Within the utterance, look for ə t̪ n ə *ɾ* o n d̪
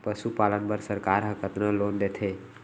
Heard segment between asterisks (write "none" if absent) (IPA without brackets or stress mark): l